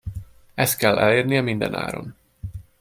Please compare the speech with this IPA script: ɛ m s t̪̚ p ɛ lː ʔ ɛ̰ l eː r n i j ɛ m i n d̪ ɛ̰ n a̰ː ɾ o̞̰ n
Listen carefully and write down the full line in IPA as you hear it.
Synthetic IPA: ɛ s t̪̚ k ɛ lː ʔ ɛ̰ l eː r n i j ɛ m i n d̪ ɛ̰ n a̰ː ɾ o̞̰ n